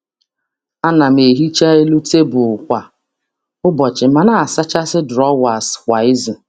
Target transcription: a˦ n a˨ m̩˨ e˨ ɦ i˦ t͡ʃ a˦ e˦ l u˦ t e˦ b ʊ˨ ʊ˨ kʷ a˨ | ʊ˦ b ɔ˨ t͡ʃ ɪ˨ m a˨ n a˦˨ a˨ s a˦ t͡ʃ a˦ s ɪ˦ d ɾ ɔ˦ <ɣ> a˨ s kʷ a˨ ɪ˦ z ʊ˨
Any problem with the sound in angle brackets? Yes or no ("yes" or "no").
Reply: yes